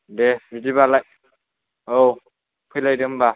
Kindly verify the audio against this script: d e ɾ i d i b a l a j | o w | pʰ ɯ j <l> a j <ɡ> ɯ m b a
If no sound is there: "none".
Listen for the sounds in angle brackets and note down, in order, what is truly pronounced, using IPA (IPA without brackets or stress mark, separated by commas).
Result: l, d